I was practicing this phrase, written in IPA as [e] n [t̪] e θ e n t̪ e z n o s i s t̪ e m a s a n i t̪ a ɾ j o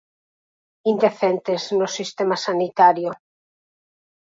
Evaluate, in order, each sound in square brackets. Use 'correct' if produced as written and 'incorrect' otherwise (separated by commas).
incorrect, incorrect